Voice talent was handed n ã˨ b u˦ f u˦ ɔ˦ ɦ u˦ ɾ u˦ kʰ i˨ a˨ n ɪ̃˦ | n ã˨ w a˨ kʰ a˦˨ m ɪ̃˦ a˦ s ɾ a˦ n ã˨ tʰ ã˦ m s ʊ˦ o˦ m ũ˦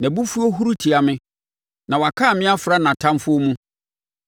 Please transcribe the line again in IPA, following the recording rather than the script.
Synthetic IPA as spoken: n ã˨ b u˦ f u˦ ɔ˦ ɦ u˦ ɾ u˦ tʰ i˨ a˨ m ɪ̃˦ | n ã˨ w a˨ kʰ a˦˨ m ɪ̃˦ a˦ f ɾ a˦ n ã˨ tʰ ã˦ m f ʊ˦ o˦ m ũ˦

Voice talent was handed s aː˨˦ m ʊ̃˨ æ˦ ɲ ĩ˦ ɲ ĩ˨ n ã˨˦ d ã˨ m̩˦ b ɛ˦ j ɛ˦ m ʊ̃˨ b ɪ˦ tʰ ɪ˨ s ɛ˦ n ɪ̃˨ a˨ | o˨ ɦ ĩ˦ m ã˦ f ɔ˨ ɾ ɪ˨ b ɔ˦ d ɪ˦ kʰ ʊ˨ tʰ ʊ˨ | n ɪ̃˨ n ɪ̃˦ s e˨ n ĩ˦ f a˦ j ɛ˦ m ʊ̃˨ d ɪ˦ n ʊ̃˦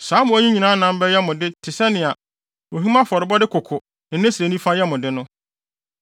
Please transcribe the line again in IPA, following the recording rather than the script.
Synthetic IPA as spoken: s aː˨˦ m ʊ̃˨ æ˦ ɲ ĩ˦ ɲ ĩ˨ n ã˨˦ n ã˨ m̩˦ b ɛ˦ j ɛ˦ m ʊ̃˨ d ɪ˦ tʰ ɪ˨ s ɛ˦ n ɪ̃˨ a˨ | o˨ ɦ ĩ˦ m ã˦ f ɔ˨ ɾ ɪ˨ b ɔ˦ d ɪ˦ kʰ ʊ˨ kʰ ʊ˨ | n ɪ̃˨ n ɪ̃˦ s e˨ n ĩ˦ f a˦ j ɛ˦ m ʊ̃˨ d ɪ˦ n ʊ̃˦

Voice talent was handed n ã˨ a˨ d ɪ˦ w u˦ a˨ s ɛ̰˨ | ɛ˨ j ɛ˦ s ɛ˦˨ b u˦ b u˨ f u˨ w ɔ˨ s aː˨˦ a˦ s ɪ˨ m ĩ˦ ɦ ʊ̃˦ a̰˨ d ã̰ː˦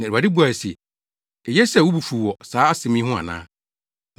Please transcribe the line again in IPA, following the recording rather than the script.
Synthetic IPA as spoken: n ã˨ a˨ d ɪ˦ b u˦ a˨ s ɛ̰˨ | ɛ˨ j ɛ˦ s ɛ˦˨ w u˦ b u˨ f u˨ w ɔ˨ s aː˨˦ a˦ s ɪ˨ m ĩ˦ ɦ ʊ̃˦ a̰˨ n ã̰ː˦

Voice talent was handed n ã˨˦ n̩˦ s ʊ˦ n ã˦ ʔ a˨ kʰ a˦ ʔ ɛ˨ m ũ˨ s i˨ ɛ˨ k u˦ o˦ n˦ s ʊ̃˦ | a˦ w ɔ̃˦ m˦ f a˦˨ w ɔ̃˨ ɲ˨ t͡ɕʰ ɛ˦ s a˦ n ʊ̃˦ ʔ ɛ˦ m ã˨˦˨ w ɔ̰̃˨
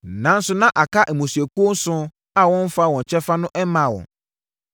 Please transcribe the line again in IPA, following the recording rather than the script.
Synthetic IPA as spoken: n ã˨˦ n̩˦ s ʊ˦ n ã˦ ʔ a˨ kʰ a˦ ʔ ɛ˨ m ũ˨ s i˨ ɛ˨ k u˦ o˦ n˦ s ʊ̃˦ | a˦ w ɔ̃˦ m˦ f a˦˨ w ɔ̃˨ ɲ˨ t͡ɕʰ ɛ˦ f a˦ n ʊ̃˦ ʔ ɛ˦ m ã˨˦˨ w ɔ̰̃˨

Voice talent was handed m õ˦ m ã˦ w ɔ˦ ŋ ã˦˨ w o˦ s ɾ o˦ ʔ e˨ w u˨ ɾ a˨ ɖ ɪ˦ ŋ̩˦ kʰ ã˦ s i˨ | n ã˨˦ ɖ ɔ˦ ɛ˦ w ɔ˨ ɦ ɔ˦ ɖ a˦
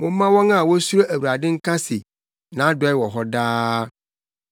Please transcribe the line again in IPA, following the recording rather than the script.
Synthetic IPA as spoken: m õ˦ m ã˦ w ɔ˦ ŋ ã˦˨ w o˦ s ɾ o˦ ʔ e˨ w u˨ ɾ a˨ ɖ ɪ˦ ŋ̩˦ k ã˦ s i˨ | n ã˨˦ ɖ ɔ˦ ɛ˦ w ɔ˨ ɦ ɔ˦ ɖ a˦

